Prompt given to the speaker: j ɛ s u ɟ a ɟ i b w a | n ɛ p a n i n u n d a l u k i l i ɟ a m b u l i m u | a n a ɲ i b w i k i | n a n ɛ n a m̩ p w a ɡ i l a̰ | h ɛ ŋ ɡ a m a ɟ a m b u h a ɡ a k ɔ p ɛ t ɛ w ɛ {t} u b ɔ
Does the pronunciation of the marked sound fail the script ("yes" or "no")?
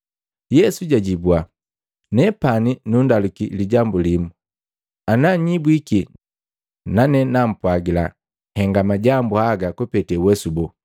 yes